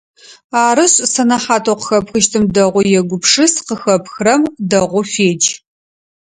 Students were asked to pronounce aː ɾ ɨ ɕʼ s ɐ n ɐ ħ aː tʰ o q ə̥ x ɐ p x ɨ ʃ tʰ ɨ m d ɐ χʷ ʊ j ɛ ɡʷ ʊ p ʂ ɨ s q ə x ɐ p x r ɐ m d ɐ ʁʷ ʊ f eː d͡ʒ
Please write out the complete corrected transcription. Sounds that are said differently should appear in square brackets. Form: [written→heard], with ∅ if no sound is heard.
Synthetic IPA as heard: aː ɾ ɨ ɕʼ s ɐ n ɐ ħ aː tʰ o q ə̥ x ɐ p x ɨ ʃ tʰ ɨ m d ɐ [χʷ→ʁʷ] ʊ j ɛ ɡʷ ʊ p ʂ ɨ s q ə x ɐ p x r ɐ m d ɐ ʁʷ ʊ f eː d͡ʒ